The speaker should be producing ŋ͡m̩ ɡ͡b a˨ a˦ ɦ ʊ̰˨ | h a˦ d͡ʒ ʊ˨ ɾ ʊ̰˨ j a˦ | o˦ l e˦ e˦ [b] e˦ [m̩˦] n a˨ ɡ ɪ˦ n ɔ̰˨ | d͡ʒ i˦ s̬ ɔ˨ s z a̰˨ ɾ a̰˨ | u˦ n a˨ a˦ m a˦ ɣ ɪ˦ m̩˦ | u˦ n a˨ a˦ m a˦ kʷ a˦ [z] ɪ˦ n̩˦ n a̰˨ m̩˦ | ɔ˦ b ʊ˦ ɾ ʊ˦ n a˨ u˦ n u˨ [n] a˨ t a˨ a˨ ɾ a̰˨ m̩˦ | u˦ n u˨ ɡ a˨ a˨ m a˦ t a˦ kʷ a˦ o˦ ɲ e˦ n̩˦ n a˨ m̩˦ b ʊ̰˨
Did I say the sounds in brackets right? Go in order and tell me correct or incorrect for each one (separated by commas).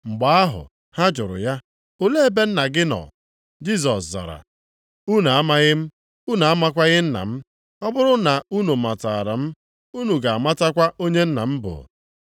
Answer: correct, incorrect, incorrect, incorrect